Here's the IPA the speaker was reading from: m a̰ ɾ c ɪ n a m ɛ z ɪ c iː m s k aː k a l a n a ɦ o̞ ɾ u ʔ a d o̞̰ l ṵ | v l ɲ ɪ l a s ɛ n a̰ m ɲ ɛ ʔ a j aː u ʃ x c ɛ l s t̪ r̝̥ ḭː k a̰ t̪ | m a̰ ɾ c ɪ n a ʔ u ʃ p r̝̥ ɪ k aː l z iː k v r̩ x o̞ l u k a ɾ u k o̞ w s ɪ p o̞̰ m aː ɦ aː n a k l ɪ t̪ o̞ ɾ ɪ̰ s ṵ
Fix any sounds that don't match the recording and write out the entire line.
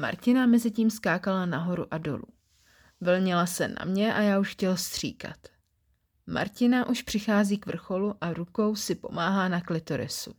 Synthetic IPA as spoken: m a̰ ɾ c ɪ n a m ɛ z ɪ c iː m s k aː k a l a n a ɦ o̞ ɾ u ʔ a d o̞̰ l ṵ | v l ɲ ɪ l a s ɛ n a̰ m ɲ ɛ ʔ a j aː u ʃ x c ɛ l s t̪ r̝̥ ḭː k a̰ t̪ | m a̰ ɾ c ɪ n a ʔ u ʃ p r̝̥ ɪ x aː z iː k v r̩ x o̞ l u ʔ a ɾ u k o̞ w s ɪ p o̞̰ m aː ɦ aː n a k l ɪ t̪ o̞ ɾ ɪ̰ s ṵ